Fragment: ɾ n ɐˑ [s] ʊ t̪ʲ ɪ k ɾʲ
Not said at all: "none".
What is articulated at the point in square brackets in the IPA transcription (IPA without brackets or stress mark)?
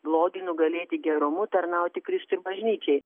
none